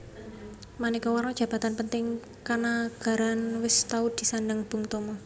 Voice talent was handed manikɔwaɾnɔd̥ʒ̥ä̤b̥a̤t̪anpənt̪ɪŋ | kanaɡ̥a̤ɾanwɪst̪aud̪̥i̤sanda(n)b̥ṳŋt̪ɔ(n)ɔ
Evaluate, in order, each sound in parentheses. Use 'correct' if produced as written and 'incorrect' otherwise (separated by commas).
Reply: incorrect, incorrect